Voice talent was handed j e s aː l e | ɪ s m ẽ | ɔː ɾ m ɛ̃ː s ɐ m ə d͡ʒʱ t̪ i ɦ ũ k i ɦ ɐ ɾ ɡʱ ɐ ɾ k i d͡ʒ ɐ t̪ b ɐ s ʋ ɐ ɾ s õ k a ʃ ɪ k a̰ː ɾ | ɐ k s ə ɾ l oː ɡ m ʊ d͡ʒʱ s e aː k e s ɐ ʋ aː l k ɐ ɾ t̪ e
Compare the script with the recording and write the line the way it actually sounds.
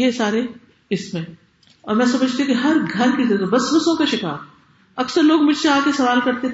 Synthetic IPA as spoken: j e s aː ɾ e | ɪ s m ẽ | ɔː ɾ m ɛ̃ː s ɐ m ə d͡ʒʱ t̪ i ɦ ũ k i ɦ ɐ ɾ ɡʱ ɐ ɾ k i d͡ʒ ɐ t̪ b ɐ s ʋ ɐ s õ k a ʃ ɪ k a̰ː ɾ | ɐ k s ə ɾ l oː ɡ m ʊ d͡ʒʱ s e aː k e s ɐ ʋ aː l k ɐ ɾ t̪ e